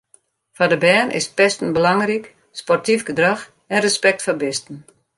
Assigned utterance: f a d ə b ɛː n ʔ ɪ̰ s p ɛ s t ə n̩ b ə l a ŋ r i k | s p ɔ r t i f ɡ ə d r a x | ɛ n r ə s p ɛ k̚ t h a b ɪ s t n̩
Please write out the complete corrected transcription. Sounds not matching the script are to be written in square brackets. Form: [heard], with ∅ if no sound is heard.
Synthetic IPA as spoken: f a d ə b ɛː n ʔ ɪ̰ s p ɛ s t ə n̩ b ə l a ŋ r i k | s p ɔ r t i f ɡ ə d r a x | ɛ n r ə s p ɛ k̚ t [f] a b ɪ s t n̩

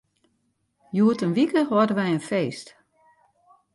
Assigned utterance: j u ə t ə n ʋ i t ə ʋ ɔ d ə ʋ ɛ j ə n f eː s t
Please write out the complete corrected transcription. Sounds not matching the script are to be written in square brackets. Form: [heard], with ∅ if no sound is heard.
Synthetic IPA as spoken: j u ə t ə n ʋ i [k] ə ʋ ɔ d ə ʋ ɛ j ə n f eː s t

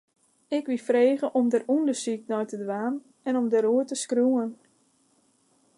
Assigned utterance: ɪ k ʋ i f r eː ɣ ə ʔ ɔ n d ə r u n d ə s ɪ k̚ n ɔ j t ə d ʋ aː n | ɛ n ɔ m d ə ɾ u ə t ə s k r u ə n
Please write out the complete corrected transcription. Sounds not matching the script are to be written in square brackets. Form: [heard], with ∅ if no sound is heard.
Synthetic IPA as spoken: ɪ k ʋ i f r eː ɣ ə ʔ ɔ [m] d ə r u n d ə s [i] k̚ n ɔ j t ə d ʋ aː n | ɛ n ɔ m d ə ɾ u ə t ə s k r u ə n

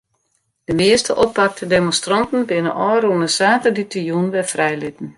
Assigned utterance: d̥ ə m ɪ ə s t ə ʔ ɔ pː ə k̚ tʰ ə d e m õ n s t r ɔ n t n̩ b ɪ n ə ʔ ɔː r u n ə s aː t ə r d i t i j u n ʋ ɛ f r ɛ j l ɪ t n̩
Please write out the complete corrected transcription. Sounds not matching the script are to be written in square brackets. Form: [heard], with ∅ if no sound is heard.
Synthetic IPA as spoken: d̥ ə m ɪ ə s t ə ʔ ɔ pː [a] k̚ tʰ ə d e m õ n s t r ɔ n t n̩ b ɪ n ə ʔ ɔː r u n ə s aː t ə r d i t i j u n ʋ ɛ f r ɛ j l ɪ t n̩

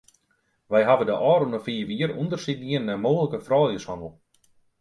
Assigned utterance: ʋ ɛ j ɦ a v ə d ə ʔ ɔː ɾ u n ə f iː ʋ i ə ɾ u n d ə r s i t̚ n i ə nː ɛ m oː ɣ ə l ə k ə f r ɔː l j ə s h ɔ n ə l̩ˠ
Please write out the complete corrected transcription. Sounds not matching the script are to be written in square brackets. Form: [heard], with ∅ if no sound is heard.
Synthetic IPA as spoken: ʋ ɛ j ɦ a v ə d ə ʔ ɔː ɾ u n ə f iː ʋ i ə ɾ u n d ə r s i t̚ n i ə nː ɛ m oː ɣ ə l ə k ə f r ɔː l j ə s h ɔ n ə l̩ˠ

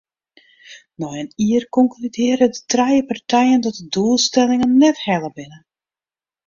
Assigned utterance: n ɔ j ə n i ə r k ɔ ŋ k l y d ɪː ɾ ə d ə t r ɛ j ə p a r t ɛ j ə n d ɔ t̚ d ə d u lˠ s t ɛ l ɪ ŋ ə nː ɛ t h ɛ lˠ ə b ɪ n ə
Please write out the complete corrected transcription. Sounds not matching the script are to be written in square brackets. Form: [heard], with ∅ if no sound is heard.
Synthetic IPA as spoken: n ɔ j ə n i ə r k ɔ ŋ k l y d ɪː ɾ ə d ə t r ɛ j ə p a r t ɛ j ə n d ɔ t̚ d ə d u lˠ s t ɛ l ɪ ŋ ə nː ɛ t h ɛ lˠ ə b ɪ n ə

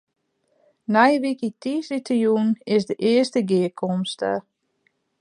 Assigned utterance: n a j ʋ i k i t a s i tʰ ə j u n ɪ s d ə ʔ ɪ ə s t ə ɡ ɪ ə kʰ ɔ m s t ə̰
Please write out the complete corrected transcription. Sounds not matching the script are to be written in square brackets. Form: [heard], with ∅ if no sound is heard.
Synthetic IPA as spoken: n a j ʋ i k i t [i] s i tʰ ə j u n ɪ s d ə ʔ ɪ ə s t ə ɡ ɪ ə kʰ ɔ m s t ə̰

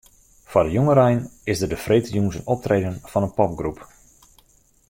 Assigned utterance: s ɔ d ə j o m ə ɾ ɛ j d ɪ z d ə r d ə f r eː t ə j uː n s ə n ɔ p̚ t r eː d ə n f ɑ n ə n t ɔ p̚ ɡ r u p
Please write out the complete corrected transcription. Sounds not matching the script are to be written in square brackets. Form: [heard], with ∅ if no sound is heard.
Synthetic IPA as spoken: [f] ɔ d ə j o [ŋ] ə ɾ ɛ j [n] ɪ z d ə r d ə f r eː t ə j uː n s ə n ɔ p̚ t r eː d ə n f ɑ n ə n [p] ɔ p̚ ɡ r u p

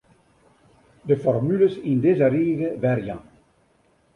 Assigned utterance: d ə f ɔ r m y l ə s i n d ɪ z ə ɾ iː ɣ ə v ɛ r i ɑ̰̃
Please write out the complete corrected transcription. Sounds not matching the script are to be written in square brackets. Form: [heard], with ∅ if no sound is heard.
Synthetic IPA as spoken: d ə f ɔ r m y l ə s i n d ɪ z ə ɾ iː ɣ ə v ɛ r [j] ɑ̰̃

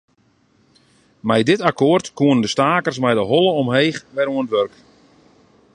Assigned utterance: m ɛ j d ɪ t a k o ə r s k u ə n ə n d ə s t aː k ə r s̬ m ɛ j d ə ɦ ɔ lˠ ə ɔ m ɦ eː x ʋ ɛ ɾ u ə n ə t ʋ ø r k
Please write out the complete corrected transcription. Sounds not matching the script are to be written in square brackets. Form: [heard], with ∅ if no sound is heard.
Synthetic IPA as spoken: m ɛ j d ɪ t a k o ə r [t] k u ə n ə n d ə s t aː k ə r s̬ m ɛ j d ə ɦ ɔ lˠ ə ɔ m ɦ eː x ʋ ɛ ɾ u ə n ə t ʋ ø r k

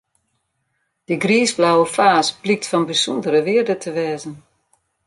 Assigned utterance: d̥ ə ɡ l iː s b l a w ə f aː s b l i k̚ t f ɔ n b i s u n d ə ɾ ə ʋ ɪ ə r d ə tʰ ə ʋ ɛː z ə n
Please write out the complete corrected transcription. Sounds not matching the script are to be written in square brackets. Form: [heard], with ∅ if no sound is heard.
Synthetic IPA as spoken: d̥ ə ɡ [r] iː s b l a w ə f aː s b l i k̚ t f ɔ n b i s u n d ə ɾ ə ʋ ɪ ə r d ə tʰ ə ʋ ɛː z ə n

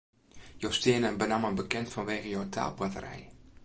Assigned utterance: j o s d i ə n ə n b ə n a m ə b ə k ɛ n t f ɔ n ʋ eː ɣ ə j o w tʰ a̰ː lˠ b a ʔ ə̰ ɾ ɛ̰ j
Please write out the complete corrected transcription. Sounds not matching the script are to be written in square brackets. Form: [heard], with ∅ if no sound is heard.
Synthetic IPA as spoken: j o s [t] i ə n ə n b ə n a m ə b ə k ɛ n t f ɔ n ʋ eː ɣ ə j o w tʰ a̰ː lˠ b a [t] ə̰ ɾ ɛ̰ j

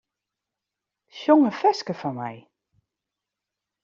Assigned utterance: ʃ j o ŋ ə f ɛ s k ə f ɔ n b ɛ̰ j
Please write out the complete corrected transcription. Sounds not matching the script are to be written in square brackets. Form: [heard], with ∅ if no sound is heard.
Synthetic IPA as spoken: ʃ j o ŋ ə f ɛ s k ə f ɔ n [m] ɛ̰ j

